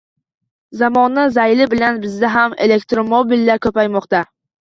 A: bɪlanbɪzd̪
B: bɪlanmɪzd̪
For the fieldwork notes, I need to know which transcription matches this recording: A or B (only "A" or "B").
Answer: A